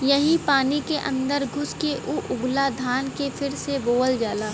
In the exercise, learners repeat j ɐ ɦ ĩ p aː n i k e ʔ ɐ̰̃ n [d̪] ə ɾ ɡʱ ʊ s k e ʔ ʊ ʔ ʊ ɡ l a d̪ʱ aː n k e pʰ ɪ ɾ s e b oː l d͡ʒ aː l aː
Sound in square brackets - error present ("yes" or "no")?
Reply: no